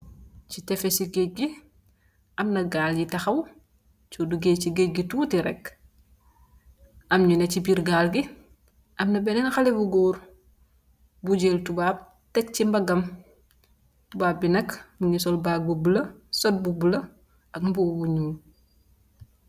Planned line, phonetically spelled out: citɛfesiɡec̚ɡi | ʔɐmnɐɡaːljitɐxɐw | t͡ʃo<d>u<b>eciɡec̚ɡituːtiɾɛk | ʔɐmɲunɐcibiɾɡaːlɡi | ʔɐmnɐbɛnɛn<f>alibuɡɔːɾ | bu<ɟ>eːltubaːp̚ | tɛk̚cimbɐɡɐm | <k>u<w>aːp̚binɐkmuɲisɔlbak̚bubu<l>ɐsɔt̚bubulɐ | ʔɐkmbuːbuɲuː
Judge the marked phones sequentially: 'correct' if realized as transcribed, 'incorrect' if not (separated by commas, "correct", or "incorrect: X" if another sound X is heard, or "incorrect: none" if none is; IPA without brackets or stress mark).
correct, incorrect: ɡ, incorrect: x, correct, incorrect: t, incorrect: b, correct